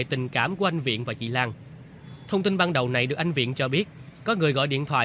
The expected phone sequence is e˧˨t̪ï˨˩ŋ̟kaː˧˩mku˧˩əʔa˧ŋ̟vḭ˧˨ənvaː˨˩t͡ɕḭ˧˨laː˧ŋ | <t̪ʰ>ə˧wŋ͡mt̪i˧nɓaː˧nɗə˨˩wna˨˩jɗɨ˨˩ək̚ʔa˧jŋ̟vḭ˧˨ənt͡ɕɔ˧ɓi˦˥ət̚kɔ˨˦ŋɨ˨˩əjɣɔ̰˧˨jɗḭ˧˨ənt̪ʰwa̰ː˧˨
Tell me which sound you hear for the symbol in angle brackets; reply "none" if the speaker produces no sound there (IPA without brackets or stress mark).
t̪ʰ